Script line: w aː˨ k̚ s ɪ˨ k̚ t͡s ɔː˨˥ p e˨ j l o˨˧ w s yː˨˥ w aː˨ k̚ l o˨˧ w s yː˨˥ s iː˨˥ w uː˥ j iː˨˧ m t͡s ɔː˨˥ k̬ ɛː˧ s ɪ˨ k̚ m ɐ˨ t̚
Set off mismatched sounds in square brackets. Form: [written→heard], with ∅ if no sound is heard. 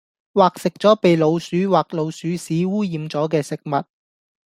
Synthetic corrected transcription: w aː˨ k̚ s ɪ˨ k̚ t͡s ɔː˨˥ p e˨ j l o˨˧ w s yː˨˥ w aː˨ k̚ l o˨˧ w s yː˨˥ s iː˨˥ w uː˥ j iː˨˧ m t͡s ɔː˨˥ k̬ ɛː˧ s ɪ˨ k̚ m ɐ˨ t̚